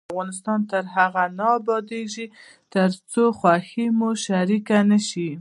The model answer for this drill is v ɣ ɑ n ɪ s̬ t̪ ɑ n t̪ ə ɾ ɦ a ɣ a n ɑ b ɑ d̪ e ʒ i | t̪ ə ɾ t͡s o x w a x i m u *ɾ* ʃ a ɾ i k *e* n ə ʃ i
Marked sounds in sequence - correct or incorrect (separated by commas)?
incorrect, incorrect